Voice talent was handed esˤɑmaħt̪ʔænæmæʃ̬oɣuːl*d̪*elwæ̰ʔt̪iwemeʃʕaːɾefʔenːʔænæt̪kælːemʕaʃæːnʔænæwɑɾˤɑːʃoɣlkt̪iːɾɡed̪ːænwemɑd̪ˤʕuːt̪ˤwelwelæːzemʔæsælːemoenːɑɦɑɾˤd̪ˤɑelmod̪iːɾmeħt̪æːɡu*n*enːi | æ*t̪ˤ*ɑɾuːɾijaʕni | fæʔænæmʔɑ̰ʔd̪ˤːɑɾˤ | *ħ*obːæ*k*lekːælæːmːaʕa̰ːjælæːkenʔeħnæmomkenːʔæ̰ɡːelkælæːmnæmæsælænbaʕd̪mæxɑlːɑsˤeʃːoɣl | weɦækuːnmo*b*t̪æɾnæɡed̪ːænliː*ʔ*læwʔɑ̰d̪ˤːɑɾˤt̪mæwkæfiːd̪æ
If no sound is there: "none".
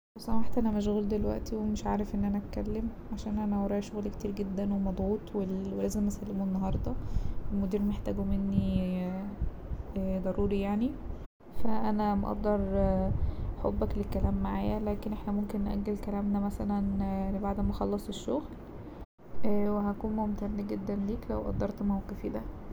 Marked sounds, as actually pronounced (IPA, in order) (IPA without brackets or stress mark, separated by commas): d̪, m, d̪ˤ, ħ, k, m, k